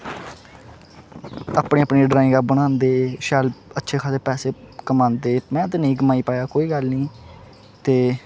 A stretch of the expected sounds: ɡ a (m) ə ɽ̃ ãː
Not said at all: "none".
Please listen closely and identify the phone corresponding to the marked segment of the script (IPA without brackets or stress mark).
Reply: b